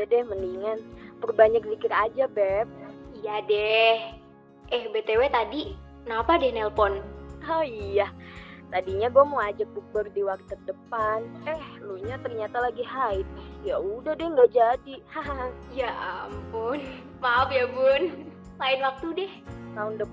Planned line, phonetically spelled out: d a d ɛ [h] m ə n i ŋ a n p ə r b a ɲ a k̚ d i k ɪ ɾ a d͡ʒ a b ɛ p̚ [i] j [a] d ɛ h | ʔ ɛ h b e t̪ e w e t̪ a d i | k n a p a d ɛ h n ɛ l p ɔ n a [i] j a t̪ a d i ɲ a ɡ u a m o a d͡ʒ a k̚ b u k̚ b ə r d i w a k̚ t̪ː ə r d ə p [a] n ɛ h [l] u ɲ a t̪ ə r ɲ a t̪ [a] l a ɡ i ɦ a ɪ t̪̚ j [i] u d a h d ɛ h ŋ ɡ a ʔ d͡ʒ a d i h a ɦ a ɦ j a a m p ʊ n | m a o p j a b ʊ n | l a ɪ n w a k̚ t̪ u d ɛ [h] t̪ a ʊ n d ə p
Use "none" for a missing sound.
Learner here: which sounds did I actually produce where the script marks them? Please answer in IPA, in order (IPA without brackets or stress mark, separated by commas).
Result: h, i, a, i, a, l, a, a, h